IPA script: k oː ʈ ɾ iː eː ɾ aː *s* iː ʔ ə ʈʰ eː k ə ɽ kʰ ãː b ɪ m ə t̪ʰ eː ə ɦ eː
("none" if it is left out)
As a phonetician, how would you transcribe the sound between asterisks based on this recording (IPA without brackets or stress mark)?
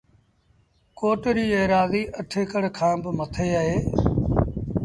z